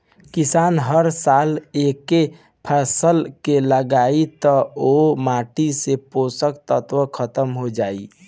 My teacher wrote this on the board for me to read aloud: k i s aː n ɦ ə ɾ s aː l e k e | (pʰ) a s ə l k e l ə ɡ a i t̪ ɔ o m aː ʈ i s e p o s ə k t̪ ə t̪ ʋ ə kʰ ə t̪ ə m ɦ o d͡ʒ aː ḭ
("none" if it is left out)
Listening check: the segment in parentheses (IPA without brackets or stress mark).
pʰ